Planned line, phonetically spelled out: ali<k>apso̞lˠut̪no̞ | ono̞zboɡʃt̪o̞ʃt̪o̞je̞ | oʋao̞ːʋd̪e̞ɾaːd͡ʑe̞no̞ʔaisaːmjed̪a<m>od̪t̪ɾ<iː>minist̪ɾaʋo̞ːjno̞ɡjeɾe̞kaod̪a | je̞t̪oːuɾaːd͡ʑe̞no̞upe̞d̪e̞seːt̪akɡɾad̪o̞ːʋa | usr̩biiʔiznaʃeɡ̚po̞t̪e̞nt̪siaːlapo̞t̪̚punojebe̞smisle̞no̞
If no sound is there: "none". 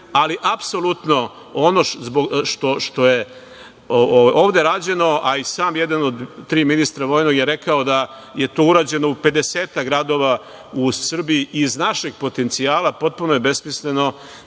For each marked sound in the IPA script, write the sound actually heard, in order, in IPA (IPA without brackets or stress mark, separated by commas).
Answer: ʔ, n, iː